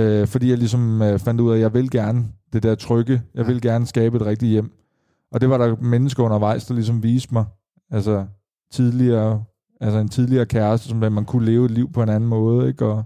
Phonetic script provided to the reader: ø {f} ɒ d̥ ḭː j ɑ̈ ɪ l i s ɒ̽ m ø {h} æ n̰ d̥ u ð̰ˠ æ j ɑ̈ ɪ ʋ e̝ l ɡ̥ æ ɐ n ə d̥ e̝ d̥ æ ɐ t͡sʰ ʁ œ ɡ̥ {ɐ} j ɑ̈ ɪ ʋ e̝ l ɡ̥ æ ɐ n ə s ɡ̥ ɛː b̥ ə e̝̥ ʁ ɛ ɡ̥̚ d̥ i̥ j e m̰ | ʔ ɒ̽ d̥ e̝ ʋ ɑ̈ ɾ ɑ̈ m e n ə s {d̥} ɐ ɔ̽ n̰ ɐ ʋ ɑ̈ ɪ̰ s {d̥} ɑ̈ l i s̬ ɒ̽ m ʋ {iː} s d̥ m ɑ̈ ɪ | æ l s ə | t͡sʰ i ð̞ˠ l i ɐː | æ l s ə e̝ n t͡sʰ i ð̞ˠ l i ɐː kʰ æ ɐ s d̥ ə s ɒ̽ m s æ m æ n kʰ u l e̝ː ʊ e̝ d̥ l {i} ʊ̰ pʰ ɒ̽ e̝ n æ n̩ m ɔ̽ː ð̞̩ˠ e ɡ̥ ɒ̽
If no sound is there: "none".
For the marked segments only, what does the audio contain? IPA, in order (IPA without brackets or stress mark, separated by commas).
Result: f, f, ə, ɡ̥, d̥, iː, i